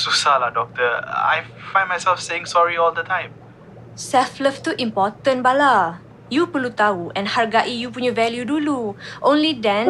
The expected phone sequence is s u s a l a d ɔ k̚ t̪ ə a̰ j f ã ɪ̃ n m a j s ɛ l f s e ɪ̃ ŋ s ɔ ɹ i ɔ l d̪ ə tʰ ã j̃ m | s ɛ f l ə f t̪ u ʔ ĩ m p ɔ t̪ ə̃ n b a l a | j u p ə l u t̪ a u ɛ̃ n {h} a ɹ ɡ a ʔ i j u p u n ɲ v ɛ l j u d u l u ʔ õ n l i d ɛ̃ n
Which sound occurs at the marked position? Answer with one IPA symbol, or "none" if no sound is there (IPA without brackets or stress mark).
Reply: h